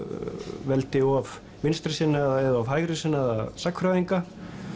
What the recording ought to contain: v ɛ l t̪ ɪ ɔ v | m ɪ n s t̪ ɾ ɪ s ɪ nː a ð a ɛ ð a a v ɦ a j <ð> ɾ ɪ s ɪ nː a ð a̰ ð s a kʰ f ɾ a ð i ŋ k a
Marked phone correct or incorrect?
incorrect